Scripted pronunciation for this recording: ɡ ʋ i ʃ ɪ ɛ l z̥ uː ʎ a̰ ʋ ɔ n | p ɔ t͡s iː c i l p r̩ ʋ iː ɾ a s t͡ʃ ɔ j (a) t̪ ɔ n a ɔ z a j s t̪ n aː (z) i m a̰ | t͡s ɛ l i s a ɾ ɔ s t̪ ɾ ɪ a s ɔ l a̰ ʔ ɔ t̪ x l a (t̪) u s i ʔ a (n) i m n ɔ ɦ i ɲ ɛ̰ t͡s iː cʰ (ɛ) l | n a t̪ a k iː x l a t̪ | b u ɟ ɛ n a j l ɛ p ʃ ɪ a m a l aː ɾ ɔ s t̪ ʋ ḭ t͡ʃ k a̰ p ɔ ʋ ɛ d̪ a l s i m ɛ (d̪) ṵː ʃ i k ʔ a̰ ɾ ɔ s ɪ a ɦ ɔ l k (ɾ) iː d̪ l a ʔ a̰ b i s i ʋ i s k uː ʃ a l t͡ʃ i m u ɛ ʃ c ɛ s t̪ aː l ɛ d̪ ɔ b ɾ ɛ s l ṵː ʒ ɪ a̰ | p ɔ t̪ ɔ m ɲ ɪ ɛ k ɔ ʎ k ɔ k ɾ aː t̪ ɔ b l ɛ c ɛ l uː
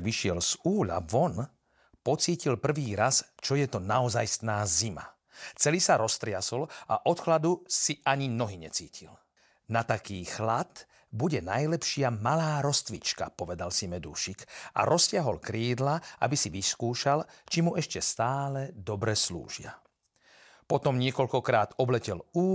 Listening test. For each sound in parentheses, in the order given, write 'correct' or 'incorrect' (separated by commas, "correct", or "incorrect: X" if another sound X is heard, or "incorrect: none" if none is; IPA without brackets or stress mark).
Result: incorrect: ɛ, correct, incorrect: d̪, incorrect: ɲ, incorrect: i, correct, correct